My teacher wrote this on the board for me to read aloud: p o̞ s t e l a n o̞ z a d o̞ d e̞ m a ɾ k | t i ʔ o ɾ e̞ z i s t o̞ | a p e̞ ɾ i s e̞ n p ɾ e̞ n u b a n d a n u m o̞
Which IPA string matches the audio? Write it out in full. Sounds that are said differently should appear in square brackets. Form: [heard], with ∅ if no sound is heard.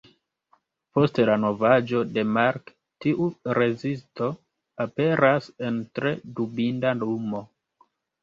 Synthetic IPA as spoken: p o̞ s t e l a n o̞ [v] a [d͡ʒ] o̞ d e̞ m a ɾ k | t i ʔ [u] ɾ e̞ z i s t o̞ | a p e̞ ɾ [a] s e̞ n [t] ɾ e̞ [d] u b [i] n d a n u m o̞